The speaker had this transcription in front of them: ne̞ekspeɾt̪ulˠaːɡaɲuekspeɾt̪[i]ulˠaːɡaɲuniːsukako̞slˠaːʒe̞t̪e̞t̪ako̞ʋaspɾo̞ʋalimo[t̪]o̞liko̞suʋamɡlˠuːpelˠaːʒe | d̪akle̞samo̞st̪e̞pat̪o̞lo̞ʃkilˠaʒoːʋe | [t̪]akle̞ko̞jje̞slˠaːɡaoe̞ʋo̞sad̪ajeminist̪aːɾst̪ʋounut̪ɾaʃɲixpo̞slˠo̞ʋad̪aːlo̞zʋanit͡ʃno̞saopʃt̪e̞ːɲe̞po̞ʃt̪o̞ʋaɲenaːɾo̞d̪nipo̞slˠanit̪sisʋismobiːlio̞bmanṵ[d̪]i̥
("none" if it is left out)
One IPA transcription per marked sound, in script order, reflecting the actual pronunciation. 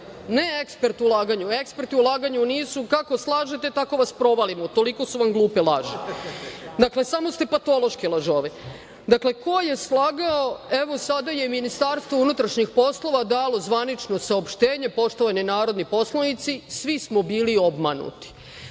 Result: i, t̪, d̪, t̪

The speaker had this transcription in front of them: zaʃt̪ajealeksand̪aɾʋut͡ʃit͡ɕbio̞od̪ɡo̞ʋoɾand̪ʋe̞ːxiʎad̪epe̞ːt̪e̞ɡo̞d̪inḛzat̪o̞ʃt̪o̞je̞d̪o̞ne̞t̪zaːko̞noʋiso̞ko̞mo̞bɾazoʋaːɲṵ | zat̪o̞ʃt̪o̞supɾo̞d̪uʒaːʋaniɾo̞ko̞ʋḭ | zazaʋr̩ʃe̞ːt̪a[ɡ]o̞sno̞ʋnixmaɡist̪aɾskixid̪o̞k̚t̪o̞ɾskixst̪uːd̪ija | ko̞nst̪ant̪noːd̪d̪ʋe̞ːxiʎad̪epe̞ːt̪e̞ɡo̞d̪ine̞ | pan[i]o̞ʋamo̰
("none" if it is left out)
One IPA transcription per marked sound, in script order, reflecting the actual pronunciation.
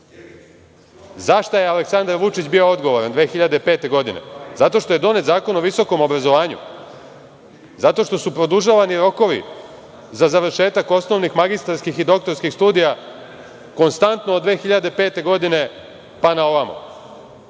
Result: k, a

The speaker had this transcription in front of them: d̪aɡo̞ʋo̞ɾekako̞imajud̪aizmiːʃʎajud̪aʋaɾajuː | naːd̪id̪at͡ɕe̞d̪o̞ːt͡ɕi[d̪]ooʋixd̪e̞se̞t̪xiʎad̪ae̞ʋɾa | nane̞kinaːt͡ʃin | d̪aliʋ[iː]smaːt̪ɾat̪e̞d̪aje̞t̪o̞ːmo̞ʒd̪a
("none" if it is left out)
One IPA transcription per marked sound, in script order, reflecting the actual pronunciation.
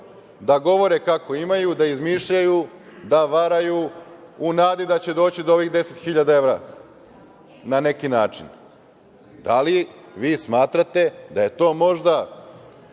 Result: d̪, iː

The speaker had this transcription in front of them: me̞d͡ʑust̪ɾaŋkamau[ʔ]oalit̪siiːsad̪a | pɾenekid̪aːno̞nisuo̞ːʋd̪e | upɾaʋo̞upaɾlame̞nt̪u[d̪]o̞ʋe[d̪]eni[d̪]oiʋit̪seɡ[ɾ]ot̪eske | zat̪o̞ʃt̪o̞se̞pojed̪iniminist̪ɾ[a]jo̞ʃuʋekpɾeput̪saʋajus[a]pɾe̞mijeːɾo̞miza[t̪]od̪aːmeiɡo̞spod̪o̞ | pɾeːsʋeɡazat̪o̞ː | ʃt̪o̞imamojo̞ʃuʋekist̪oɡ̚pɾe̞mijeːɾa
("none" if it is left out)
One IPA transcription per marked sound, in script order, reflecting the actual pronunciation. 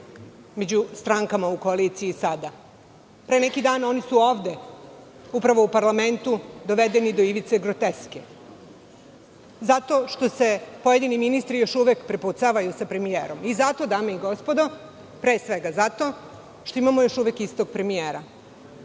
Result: k, d̪, d̪, d̪, ɾ, i, a, t̪

